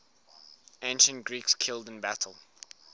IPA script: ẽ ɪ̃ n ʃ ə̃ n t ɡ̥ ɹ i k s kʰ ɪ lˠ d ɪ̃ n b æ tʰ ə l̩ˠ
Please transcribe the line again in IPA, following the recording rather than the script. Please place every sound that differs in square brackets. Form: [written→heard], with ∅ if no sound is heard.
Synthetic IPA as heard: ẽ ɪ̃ n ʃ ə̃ n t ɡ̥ ɹ i k s kʰ ɪ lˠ d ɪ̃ n b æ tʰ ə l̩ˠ